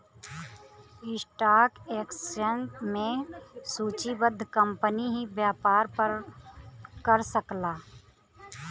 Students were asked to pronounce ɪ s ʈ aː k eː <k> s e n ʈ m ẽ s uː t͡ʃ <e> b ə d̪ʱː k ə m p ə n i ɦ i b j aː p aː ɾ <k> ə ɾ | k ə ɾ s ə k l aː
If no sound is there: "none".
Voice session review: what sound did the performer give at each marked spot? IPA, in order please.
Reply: k, i, p

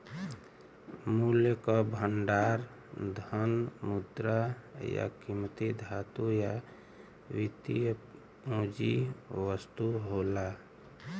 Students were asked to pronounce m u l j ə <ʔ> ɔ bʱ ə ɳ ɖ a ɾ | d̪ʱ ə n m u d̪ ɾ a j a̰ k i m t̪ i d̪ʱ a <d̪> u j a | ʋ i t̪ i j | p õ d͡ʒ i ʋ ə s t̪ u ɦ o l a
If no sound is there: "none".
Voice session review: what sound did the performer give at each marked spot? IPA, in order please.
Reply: k, t̪

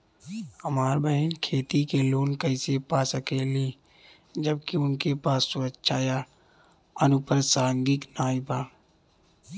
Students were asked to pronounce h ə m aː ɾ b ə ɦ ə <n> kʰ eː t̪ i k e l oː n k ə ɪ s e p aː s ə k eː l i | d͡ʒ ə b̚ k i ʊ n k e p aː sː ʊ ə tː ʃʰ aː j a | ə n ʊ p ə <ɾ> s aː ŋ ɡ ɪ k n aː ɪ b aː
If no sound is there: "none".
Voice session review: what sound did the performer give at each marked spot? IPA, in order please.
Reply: n, ɾ

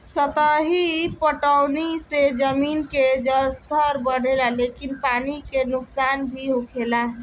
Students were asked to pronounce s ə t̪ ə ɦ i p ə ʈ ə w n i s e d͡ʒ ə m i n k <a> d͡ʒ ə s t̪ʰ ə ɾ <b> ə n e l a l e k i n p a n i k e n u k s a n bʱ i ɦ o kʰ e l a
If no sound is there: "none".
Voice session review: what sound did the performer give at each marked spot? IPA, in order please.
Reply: e, b

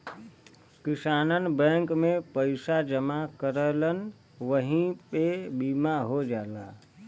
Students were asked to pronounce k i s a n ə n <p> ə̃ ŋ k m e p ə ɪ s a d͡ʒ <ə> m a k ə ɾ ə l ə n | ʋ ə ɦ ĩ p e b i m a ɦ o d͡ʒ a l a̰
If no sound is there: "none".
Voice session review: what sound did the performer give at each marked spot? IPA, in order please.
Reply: b, ə

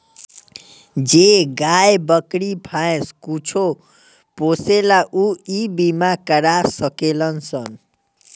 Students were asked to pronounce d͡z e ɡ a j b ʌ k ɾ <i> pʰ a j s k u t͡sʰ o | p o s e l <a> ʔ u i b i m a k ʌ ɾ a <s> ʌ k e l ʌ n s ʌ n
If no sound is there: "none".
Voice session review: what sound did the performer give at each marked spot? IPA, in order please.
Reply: i, a, s

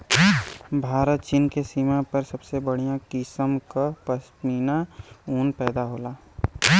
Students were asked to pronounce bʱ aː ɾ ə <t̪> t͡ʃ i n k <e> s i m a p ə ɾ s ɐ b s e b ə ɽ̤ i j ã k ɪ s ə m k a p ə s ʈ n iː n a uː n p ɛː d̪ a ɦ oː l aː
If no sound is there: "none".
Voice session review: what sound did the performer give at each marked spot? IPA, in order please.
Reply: t̪, e

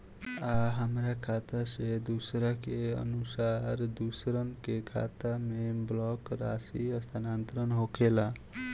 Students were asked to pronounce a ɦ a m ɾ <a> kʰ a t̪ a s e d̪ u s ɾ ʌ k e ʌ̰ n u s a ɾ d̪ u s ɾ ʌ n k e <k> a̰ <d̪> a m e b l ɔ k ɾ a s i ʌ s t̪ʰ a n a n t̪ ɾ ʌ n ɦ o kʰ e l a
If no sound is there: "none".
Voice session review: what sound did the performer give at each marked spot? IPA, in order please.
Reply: a, kʰ, t̪

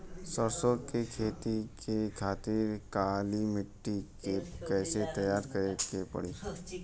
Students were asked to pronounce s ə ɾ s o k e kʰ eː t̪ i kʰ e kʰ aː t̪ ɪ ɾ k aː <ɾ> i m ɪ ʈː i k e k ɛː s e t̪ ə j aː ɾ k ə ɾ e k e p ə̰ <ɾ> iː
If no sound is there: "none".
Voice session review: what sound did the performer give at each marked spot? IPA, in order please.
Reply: l, ɽ

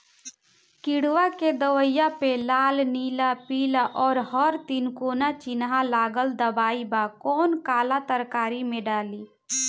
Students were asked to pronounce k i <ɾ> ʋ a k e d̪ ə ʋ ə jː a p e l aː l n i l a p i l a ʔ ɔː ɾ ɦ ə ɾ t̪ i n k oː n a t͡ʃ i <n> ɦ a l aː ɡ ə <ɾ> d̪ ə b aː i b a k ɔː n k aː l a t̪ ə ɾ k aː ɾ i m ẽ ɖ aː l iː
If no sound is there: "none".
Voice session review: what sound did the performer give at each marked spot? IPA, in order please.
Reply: ɽ, n, l

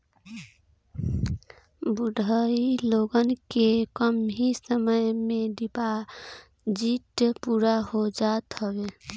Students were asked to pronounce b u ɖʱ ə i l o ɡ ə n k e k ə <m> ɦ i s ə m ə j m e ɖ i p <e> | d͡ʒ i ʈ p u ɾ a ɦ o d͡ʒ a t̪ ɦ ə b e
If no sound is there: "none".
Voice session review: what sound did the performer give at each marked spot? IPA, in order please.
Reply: m, a

